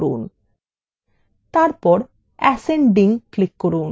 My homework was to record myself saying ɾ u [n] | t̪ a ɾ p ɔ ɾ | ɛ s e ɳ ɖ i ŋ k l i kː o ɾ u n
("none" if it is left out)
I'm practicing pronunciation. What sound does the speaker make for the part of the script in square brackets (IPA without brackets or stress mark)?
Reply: n